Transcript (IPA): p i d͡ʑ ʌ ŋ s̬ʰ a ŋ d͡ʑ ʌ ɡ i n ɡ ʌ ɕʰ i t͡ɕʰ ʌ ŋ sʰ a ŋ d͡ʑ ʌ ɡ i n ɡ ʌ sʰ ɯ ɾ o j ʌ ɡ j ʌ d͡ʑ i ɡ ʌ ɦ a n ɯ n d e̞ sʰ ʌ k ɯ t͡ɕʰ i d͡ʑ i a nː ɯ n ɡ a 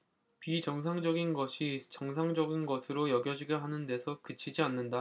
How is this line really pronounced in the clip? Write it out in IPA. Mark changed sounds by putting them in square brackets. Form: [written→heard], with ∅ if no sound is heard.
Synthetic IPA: p i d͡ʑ ʌ ŋ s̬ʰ a ŋ d͡ʑ ʌ ɡ i n ɡ ʌ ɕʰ i [t͡ɕʰ→t͡ɕ] ʌ ŋ sʰ a ŋ d͡ʑ ʌ ɡ i n ɡ ʌ sʰ ɯ ɾ o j ʌ ɡ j ʌ d͡ʑ i ɡ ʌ ɦ a n ɯ n d e̞ sʰ ʌ k ɯ t͡ɕʰ i d͡ʑ i a nː ɯ n [ɡ→d] a